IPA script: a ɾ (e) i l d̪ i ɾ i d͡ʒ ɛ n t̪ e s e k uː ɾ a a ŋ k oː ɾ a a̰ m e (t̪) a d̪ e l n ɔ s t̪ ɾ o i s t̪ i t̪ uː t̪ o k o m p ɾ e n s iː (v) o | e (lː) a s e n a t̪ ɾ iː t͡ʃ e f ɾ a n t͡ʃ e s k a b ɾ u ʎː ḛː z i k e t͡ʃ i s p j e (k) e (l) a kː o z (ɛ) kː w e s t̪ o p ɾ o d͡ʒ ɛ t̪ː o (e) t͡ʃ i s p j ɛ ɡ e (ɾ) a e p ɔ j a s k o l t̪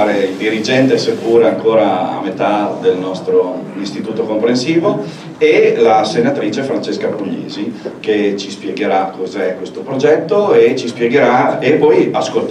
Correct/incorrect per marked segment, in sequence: correct, correct, correct, incorrect: l, incorrect: ɡ, incorrect: ɾ, correct, correct, correct

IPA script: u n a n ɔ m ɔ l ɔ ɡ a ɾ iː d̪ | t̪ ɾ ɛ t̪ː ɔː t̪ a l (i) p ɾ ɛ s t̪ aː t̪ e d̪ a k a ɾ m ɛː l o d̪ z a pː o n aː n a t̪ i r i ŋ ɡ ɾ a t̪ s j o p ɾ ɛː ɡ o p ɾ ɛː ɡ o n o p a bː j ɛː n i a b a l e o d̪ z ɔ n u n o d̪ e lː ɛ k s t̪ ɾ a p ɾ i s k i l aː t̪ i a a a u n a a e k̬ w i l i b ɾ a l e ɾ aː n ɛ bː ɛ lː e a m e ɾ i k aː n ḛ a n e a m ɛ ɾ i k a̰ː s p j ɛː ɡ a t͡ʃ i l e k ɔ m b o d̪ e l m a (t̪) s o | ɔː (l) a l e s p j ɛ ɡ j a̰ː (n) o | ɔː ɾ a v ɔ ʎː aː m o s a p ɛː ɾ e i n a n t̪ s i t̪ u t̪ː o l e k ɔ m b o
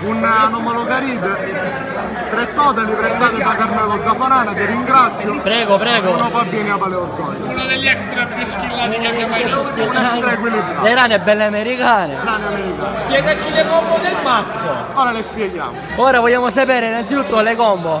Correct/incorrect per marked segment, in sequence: correct, correct, incorrect: ɾ, incorrect: m

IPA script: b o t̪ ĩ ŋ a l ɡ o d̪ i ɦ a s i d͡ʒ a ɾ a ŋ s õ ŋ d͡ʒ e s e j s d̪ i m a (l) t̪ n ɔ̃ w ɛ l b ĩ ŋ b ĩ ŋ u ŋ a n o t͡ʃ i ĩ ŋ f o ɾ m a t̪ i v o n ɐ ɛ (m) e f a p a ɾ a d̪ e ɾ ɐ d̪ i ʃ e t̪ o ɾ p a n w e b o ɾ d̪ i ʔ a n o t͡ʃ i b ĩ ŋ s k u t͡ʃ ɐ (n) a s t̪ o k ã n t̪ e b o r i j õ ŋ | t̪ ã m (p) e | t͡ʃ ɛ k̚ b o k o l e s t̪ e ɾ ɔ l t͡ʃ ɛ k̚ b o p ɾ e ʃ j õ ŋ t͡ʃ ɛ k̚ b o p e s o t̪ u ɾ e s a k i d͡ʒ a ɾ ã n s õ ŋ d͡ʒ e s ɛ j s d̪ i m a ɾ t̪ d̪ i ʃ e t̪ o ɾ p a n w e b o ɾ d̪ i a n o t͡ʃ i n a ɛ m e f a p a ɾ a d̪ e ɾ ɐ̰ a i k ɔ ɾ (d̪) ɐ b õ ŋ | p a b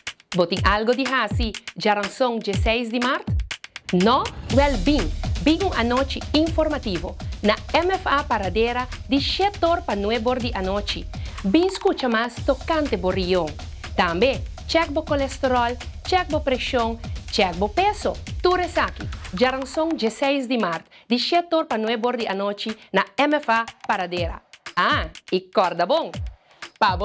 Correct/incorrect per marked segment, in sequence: incorrect: ɾ, correct, incorrect: m, incorrect: b, correct

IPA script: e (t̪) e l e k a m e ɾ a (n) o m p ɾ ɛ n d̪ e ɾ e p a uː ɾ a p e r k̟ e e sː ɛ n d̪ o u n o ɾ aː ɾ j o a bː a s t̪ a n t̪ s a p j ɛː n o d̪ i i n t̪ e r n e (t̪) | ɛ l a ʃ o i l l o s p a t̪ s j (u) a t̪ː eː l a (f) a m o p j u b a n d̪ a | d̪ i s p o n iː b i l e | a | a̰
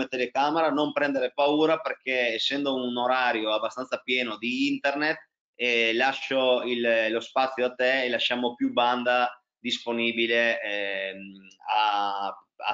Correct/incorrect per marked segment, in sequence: correct, correct, correct, incorrect: o, incorrect: ʃ

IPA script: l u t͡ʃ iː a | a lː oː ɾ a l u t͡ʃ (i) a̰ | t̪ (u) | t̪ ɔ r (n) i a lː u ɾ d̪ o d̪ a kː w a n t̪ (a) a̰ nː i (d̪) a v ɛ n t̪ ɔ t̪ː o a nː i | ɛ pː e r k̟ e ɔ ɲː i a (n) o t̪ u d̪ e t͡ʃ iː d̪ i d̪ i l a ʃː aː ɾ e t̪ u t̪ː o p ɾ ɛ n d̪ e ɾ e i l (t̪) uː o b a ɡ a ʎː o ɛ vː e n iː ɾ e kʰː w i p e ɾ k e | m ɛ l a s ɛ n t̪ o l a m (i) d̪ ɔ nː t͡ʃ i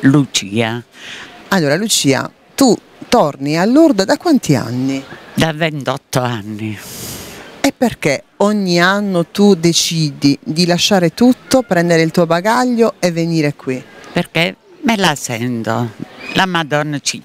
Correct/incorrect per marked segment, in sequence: incorrect: iː, correct, correct, incorrect: i, correct, incorrect: nː, correct, incorrect: a

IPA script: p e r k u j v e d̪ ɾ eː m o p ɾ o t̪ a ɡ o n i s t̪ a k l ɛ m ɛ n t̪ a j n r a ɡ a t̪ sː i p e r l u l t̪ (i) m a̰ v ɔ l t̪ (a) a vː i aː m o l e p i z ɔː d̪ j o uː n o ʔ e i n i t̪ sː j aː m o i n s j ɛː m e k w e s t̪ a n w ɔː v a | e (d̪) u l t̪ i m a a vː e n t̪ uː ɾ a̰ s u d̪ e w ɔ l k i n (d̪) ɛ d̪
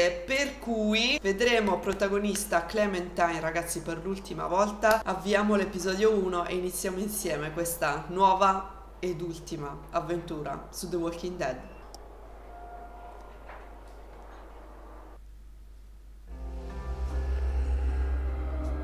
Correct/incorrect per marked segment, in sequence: correct, correct, correct, correct

